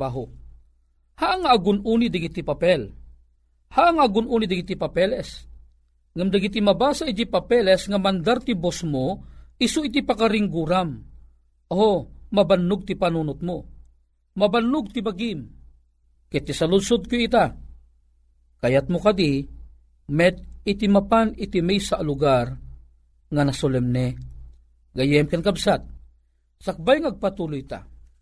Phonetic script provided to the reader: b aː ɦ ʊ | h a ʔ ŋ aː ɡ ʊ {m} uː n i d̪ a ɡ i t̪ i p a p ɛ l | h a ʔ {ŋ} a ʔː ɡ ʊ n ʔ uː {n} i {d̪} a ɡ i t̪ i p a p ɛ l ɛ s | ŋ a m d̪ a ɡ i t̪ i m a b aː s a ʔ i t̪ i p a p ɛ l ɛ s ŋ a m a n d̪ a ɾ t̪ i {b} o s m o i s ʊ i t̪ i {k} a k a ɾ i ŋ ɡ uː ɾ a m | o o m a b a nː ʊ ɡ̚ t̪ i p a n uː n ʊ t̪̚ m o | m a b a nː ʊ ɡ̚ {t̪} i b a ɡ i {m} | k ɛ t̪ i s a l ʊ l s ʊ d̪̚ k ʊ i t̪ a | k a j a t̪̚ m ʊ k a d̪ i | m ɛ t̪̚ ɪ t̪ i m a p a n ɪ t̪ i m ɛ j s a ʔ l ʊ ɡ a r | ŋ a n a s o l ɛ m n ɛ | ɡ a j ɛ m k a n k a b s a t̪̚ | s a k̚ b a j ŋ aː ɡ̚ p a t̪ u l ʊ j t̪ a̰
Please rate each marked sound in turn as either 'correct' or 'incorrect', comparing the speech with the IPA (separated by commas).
incorrect, correct, correct, correct, correct, incorrect, correct, correct